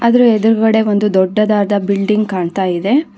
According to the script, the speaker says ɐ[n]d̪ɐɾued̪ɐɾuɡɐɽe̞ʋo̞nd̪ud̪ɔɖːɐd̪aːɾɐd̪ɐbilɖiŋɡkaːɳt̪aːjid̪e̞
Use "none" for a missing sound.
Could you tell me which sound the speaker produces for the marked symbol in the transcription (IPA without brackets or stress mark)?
none